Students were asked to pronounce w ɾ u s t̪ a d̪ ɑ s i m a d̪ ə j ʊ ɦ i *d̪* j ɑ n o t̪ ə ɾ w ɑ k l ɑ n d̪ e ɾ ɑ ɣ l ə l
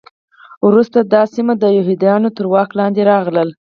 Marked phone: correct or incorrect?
correct